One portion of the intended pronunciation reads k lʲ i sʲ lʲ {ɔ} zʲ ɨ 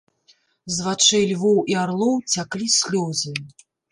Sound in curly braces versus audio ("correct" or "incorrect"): correct